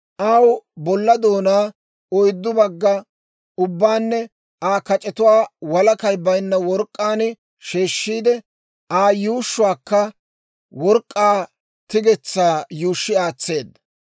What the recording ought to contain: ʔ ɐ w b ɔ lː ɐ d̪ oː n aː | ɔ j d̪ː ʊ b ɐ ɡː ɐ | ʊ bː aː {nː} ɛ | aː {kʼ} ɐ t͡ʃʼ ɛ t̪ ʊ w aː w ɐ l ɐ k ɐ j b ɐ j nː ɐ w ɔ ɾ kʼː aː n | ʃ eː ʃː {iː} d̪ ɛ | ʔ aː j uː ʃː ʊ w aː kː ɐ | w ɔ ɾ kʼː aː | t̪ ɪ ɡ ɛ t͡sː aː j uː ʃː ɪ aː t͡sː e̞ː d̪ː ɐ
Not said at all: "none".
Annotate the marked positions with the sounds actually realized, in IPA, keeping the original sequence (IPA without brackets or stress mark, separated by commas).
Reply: nː, k, iː